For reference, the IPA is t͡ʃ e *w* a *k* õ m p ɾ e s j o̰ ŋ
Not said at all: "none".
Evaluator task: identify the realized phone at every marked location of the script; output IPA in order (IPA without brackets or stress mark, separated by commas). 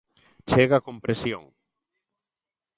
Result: ɣ, k